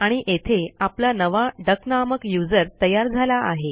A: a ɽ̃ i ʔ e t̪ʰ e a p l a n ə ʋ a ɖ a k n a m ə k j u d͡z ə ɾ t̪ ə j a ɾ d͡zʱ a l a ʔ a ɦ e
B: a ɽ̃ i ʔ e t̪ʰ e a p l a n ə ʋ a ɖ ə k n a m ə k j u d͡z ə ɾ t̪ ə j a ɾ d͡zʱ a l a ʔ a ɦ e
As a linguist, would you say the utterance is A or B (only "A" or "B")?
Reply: B